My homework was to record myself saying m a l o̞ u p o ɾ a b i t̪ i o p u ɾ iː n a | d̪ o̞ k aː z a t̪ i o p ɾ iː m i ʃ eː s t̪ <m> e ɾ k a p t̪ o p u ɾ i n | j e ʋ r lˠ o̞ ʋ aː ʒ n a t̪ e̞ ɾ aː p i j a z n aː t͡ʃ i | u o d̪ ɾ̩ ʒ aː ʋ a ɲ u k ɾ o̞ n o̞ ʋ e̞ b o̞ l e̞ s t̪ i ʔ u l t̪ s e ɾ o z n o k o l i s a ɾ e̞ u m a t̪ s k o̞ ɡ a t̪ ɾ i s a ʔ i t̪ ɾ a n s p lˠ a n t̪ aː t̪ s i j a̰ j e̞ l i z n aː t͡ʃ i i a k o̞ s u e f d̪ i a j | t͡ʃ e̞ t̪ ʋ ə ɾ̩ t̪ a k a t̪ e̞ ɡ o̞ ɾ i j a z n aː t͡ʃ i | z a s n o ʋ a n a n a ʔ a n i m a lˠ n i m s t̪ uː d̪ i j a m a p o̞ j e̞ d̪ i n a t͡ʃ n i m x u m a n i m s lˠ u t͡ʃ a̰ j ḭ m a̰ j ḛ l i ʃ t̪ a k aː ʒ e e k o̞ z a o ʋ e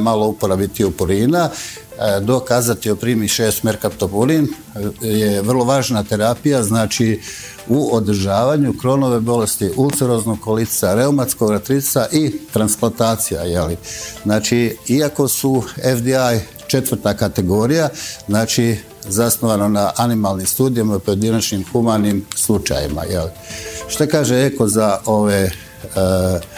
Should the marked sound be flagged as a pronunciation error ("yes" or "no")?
no